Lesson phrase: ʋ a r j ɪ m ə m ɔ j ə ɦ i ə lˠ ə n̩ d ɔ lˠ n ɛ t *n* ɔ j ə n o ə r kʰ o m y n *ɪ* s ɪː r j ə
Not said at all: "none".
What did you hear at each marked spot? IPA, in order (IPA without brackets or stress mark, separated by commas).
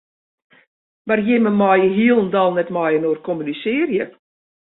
m, i